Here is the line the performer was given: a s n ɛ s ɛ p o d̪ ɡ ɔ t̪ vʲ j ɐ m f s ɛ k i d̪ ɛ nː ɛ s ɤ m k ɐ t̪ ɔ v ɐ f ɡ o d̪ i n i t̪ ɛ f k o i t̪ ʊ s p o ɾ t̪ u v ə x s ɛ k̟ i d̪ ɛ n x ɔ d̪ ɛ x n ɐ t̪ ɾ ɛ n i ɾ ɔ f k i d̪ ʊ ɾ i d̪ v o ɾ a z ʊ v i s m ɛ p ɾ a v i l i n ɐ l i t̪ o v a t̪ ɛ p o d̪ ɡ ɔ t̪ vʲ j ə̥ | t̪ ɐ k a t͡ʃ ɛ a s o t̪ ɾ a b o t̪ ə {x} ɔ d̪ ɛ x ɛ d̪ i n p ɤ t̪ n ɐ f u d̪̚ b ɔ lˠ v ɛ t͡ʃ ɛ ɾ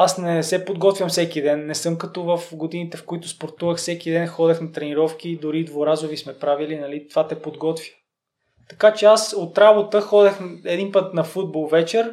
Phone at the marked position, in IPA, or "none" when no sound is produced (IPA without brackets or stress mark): x